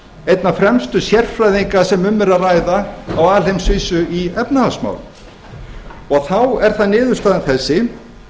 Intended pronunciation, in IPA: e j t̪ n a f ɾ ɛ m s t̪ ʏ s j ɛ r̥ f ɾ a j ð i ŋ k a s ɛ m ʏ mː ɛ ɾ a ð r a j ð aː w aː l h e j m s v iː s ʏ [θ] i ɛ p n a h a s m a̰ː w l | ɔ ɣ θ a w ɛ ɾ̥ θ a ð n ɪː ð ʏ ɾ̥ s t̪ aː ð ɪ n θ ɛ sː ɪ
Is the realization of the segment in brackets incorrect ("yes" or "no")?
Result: yes